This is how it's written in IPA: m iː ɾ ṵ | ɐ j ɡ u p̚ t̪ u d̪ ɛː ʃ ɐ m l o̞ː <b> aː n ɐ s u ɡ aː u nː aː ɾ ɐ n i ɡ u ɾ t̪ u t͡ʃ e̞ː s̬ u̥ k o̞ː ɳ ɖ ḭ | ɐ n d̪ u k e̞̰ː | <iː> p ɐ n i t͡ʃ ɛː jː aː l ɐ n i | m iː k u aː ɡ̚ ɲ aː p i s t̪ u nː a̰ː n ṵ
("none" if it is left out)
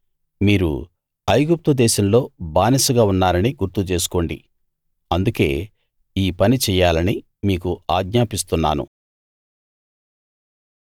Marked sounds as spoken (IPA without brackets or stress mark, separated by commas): b, iː